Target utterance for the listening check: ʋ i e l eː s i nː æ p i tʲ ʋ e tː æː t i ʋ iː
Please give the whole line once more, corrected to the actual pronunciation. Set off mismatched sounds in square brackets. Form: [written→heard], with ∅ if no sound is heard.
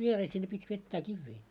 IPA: ʋ i e [l→r] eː s i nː [æ→e] p i tʲ ʋ e tː æː [t→k] i [ʋ→ʋː] iː